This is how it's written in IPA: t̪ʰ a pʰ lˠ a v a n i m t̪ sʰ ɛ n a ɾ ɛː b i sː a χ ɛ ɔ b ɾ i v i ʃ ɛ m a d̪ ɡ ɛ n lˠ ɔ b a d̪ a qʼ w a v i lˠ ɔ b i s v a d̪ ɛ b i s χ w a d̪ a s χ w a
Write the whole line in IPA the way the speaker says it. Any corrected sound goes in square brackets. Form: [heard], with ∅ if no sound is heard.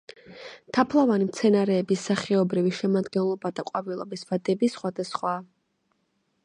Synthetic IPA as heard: t̪ʰ a pʰ lˠ a v a n i m t̪ sʰ ɛ n a ɾ ɛː b i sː a χ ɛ ɔ b ɾ i v i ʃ ɛ m a d̪ ɡ ɛ n lˠ ɔ b a d̪ a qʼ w a v i lˠ ɔ b i s v a d̪ ɛ b i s χ w a d̪ a s χ w a